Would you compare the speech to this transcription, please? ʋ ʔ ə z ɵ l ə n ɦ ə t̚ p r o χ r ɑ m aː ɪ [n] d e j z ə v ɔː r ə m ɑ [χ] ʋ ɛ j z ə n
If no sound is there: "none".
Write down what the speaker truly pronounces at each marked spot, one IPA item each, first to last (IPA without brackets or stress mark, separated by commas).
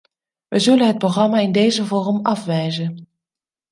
n, f